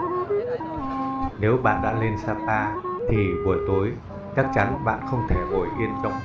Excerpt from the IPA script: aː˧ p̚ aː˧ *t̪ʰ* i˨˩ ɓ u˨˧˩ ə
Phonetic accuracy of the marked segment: correct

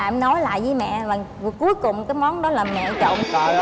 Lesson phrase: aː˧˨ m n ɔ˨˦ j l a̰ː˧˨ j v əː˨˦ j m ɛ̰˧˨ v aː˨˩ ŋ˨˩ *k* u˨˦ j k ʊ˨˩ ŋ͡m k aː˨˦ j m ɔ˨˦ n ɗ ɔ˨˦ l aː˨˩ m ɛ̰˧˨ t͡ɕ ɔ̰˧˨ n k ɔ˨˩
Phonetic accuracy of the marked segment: correct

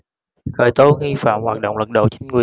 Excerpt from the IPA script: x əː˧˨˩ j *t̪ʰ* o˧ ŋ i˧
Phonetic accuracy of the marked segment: incorrect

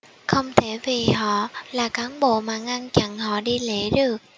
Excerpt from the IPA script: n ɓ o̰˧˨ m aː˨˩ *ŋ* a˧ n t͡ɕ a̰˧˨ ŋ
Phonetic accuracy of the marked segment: correct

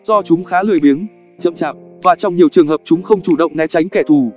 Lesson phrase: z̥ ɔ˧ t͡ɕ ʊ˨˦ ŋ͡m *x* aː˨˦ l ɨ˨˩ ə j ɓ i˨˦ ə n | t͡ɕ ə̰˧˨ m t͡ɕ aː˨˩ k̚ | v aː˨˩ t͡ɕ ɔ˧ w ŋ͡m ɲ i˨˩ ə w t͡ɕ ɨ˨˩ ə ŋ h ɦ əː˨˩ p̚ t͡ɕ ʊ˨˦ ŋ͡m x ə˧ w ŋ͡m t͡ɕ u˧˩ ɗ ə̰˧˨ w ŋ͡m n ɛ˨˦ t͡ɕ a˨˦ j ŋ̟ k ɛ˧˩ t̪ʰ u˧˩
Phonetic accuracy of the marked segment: correct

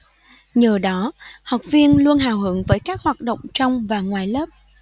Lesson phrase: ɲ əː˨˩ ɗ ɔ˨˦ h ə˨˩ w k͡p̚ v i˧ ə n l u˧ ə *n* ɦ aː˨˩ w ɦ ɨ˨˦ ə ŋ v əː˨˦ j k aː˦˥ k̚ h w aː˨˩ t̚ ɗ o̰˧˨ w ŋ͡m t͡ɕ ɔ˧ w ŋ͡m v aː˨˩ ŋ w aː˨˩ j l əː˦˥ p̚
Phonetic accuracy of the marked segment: correct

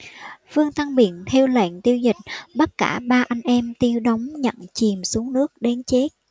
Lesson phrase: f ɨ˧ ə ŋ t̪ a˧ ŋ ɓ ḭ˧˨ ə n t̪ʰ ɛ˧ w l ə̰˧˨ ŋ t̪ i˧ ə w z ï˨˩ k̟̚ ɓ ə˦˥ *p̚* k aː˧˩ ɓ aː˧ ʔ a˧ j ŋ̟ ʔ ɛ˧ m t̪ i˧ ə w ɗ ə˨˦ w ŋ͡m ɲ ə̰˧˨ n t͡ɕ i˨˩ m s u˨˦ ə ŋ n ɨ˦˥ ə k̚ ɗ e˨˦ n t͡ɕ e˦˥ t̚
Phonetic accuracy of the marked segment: incorrect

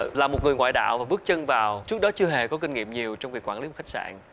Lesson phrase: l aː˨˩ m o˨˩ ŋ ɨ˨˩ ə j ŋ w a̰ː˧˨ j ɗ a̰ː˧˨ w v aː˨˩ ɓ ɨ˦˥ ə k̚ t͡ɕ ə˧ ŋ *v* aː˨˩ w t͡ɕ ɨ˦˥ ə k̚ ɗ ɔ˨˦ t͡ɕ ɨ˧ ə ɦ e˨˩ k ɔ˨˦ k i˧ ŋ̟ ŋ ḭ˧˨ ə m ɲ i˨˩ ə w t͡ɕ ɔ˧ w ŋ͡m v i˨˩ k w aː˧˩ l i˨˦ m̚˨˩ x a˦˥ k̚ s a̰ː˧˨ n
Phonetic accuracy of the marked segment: correct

